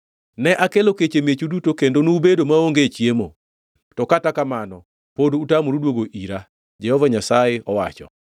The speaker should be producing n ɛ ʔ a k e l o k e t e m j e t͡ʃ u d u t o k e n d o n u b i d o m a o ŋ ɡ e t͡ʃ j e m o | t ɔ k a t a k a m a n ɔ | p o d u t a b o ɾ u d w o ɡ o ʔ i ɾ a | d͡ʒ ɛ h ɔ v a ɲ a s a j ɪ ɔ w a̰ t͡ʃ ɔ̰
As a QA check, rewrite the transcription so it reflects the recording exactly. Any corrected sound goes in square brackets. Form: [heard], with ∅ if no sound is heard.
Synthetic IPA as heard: n ɛ ʔ a k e l o k e [t͡ʃ] e m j e t͡ʃ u d u t o k e n d o n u b [e] d o m a o ŋ ɡ e t͡ʃ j e m o | t ɔ k a t a k a m a n ɔ | p o d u t a [m] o ɾ u d w o ɡ o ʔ i ɾ a | d͡ʒ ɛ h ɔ v a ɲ a s a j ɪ ɔ w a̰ t͡ʃ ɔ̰